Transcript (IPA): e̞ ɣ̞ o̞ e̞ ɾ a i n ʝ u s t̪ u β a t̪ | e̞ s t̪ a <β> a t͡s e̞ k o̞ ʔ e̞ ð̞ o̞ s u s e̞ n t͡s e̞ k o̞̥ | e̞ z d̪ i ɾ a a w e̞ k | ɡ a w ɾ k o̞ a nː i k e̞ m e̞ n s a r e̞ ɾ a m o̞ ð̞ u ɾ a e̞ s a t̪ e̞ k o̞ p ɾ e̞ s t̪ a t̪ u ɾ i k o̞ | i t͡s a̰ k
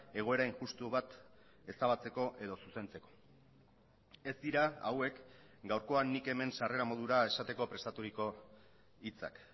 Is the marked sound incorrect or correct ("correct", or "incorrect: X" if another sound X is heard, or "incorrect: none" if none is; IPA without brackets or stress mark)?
correct